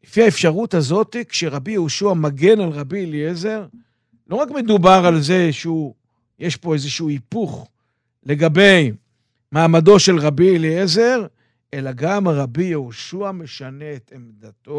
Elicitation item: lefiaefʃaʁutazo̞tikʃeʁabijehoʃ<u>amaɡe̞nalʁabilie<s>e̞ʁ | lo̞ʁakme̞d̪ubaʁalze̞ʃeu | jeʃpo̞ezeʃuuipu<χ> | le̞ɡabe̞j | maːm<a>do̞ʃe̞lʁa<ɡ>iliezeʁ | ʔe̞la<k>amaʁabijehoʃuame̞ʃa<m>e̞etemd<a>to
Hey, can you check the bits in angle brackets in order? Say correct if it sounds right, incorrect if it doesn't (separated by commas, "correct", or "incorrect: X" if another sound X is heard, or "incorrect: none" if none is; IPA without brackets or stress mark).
correct, incorrect: z, correct, correct, incorrect: b, incorrect: ɡ, incorrect: n, correct